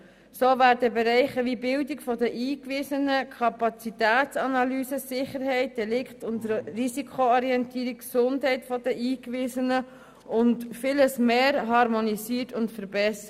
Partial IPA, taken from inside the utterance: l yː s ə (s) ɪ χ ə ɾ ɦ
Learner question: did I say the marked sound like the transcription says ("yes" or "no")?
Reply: yes